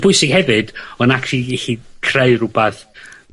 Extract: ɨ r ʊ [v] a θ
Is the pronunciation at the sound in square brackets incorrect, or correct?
incorrect: b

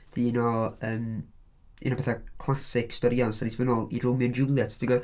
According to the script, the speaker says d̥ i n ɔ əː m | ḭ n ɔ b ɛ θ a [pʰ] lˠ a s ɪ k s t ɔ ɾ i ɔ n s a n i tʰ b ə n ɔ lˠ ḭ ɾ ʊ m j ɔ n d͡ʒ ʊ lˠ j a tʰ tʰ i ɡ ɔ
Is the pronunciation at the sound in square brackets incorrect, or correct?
incorrect: kʰ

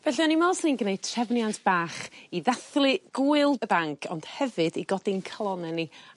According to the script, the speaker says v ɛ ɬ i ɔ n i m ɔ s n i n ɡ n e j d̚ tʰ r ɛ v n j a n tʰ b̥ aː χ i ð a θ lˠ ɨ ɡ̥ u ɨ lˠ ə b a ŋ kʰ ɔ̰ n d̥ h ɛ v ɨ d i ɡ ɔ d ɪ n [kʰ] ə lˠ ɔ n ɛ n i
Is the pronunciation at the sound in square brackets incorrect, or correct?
correct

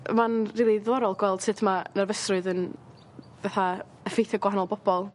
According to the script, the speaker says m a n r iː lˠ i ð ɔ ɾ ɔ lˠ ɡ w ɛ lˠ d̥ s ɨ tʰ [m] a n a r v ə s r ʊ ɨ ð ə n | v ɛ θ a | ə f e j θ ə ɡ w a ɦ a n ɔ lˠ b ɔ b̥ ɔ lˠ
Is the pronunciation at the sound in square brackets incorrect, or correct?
correct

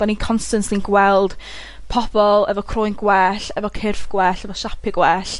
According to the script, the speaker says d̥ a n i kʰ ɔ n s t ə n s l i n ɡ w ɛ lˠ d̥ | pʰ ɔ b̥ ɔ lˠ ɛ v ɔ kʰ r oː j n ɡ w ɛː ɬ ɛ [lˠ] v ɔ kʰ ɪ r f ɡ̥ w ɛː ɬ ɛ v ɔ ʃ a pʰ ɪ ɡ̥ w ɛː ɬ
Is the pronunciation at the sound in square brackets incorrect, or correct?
incorrect: none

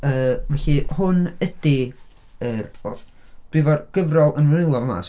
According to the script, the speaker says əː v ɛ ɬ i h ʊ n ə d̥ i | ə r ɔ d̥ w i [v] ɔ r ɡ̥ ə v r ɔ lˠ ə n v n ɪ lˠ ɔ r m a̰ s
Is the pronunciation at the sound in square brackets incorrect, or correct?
correct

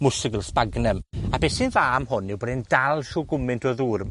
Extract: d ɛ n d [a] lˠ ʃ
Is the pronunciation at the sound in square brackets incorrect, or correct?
correct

